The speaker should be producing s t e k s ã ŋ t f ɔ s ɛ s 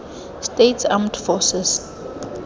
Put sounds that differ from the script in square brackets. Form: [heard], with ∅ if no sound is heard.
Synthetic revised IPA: s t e [t] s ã [m] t f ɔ s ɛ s